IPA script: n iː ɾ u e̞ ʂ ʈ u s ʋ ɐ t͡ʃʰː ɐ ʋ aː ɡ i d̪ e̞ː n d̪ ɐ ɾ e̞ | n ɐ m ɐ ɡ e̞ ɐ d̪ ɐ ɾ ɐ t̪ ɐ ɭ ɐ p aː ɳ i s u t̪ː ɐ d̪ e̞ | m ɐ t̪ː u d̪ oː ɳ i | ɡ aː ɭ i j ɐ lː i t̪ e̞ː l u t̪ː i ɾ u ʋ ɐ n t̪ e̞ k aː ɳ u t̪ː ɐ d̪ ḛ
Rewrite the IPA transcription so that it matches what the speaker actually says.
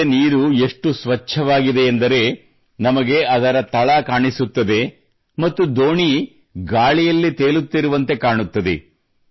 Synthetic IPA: n iː ɾ u e̞ ʂ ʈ u s ʋ ɐ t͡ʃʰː ɐ ʋ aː ɡ i d̪ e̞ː n d̪ ɐ ɾ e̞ | n ɐ m ɐ ɡ e̞ ɐ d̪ ɐ ɾ ɐ t̪ ɐ ɭ ɐ k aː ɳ i s u t̪ː ɐ d̪ e̞ | m ɐ t̪ː u d̪ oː ɳ i | ɡ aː ɭ i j ɐ lː i t̪ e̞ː l u t̪ː i ɾ u ʋ ɐ n t̪ e̞ k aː ɳ u t̪ː ɐ d̪ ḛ